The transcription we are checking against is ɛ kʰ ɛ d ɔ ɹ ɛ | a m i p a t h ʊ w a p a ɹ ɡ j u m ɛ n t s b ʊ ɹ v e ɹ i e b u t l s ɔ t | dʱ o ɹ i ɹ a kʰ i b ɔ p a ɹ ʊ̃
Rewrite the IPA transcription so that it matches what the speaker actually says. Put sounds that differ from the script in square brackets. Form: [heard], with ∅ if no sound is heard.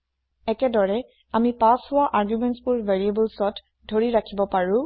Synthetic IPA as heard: ɛ [k] ɛ d ɔ ɹ ɛ | a m i p a [s] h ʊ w a [ʔ] a ɹ ɡ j u m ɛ n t s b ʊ ɹ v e ɹ i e b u [∅] l s ɔ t | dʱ o ɹ i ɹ a kʰ i b ɔ p a ɹ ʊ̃